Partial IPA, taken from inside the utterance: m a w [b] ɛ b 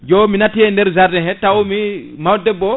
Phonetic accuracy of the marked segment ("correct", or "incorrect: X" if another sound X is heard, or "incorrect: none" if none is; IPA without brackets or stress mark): incorrect: d